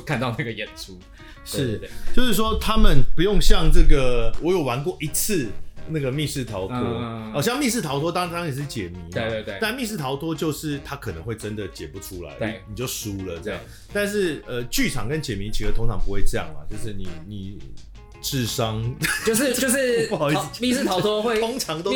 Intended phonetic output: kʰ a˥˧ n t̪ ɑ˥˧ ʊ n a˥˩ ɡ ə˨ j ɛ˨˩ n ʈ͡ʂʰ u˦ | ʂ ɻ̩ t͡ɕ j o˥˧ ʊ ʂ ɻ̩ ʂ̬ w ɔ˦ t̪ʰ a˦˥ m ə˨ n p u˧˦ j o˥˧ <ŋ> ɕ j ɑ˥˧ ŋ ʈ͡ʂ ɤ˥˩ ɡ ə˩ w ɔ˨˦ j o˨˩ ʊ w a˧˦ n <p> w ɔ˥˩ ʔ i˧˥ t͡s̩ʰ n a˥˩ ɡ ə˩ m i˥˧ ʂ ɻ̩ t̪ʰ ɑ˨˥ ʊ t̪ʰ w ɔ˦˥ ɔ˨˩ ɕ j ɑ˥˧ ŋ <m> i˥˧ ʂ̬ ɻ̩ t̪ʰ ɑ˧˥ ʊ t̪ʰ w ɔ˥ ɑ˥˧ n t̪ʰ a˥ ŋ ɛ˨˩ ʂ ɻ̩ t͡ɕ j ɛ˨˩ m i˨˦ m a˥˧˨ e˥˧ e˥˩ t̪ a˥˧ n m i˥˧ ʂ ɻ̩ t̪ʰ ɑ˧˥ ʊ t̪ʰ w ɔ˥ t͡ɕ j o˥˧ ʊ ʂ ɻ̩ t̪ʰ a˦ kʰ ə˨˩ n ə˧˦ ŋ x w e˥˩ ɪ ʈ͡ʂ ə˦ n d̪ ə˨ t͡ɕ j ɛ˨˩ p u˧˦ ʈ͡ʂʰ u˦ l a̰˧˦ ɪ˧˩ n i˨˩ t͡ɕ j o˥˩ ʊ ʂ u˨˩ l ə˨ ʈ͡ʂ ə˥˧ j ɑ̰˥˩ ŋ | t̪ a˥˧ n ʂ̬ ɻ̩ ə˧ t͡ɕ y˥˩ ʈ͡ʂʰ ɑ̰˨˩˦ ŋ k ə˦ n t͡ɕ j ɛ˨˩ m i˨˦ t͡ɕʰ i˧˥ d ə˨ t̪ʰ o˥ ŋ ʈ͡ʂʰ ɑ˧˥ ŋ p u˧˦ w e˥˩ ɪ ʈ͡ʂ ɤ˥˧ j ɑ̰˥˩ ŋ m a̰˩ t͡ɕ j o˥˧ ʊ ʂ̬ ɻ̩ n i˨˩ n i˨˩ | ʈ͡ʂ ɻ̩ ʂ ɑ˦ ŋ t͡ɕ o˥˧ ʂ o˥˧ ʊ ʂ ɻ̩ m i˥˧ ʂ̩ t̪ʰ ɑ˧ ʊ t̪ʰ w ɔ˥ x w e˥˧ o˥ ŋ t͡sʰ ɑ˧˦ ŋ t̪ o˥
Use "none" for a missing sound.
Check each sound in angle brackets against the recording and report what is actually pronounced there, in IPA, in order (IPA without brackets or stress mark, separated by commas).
ŋ, k, m